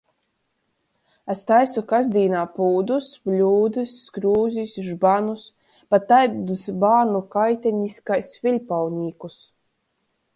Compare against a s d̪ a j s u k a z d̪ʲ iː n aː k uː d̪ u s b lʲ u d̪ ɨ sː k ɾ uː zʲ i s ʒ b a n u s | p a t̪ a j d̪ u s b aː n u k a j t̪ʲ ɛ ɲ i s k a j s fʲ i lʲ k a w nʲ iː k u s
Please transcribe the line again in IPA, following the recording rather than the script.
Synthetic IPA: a s t̪ a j s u k a z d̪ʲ iː n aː p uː d̪ u s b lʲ uː d̪ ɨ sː k ɾ uː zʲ i s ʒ b a n u s | p a t̪ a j d̪ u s b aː n u k a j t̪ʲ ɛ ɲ i s k a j s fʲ i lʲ p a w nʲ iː k u s